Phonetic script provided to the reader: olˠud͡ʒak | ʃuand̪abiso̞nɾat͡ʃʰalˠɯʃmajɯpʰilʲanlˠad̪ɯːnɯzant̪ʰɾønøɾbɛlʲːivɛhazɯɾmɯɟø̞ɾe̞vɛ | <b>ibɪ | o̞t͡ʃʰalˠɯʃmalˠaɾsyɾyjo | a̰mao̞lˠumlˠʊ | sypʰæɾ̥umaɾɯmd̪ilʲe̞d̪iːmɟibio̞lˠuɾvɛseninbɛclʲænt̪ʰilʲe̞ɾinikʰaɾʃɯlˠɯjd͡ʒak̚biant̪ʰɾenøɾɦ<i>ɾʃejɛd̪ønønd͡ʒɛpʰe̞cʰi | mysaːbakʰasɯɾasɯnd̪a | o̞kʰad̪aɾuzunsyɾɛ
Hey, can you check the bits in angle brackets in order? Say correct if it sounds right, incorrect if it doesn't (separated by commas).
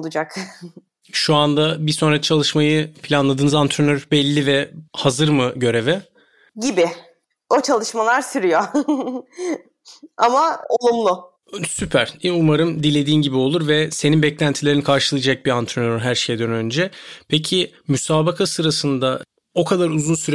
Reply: incorrect, incorrect